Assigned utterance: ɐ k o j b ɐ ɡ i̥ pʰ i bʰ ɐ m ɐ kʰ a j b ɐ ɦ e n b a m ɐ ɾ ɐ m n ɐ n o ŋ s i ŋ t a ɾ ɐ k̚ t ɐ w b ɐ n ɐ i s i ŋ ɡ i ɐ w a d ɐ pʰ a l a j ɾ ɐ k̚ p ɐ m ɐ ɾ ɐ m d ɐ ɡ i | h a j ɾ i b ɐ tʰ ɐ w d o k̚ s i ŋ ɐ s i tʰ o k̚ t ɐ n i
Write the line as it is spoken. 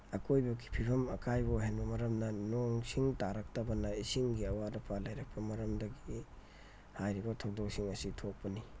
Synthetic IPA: ɐ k o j b ɐ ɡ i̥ pʰ i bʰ ɐ m ɐ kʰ a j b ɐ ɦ e n b ɐ m ɐ ɾ ɐ m n ɐ n o ŋ s i ŋ t a ɾ ɐ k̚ t ɐ b ɐ n ɐ i s i ŋ ɡ i ɐ w a d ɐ pʰ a l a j ɾ ɐ k̚ p ɐ m ɐ ɾ ɐ m d ɐ ɡ i | h a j ɾ i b ɐ tʰ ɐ w d o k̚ s i ŋ ɐ s i tʰ o k̚ p ɐ n i